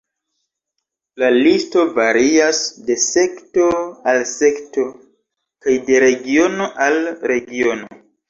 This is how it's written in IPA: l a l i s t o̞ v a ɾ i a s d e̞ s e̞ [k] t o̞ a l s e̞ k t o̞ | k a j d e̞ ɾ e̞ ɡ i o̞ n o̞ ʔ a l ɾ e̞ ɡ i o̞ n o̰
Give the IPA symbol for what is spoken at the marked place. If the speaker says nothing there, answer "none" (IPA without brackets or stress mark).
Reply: k